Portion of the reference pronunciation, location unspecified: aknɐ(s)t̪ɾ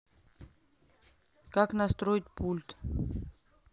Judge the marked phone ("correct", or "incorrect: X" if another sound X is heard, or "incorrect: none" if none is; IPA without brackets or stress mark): correct